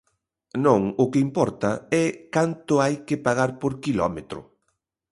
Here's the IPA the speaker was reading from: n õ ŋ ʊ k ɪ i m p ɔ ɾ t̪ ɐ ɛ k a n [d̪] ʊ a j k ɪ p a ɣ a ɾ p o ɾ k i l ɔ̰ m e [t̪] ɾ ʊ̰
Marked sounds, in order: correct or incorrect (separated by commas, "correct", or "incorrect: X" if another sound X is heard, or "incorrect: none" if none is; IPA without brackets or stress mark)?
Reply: incorrect: t̪, correct